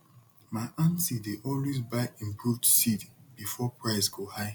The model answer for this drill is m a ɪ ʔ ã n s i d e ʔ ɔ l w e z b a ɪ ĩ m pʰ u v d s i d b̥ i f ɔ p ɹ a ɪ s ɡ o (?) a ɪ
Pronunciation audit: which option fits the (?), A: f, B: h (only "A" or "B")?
B